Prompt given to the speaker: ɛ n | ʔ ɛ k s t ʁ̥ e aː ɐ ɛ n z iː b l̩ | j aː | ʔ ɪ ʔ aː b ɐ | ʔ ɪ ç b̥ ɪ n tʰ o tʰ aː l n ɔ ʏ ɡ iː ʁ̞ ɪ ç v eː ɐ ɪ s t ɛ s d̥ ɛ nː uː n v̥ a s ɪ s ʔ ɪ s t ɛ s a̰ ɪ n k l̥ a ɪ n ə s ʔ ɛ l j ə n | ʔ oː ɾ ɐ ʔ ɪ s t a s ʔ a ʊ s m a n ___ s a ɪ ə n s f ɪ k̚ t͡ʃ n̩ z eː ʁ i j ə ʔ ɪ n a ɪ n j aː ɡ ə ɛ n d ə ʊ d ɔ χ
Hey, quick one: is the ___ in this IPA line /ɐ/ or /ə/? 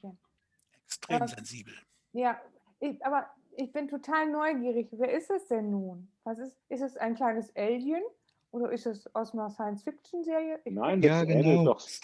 ɐ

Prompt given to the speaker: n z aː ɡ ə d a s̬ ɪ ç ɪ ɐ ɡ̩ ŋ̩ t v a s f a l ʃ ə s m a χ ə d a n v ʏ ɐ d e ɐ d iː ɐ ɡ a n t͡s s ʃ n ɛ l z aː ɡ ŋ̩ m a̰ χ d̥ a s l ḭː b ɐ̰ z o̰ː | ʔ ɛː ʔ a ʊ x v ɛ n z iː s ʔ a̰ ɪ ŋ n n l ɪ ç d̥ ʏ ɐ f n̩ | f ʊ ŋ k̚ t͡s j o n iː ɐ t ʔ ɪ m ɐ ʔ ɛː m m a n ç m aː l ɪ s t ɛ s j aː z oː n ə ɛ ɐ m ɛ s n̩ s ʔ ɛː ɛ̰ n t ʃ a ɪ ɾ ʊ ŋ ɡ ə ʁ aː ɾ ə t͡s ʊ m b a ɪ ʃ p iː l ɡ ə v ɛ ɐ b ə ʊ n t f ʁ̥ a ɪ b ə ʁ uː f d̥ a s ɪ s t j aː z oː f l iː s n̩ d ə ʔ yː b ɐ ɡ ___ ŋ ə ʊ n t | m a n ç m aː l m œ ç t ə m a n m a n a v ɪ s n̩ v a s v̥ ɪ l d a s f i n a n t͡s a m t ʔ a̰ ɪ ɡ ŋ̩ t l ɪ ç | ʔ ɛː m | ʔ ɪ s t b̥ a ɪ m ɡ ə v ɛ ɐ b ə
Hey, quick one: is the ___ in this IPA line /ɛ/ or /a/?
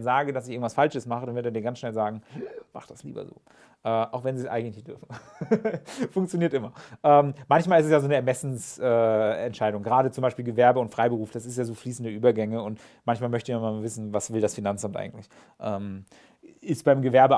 ɛ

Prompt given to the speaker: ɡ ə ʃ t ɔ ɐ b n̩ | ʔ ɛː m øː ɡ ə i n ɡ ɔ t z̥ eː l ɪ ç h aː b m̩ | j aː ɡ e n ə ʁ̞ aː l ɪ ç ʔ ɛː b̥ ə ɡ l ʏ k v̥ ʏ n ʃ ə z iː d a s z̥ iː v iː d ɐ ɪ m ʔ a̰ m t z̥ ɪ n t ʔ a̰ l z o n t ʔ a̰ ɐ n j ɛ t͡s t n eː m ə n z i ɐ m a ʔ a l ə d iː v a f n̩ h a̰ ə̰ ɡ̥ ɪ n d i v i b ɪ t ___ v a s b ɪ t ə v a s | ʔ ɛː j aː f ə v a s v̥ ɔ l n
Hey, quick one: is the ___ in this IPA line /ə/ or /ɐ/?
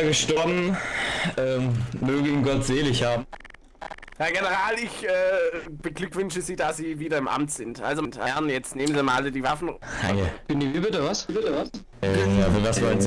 ə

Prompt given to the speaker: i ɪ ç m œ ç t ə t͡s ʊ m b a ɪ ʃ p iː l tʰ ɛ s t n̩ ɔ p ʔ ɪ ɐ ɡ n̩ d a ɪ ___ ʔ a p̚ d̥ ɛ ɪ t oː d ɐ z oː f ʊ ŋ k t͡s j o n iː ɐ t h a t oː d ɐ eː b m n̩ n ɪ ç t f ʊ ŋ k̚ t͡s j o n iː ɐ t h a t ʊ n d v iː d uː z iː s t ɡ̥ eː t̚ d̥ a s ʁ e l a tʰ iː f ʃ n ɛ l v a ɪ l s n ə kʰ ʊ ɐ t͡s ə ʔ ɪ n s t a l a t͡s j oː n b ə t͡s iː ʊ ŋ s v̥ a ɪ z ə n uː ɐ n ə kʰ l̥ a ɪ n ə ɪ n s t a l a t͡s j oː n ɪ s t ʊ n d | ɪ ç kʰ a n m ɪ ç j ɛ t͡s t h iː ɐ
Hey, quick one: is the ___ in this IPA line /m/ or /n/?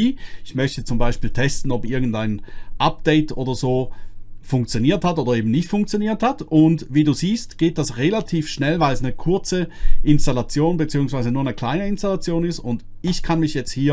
n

